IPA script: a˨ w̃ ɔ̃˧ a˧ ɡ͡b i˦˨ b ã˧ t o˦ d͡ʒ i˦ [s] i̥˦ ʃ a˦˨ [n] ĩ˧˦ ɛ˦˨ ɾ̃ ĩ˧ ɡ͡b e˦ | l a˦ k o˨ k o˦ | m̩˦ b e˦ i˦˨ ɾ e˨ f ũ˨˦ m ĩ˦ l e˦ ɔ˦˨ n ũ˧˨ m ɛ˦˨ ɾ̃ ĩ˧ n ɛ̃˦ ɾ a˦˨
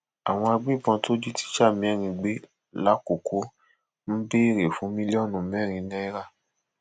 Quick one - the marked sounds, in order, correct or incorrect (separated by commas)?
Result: incorrect, incorrect